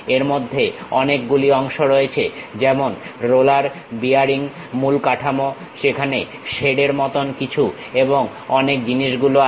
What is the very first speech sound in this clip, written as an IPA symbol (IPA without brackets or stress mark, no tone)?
e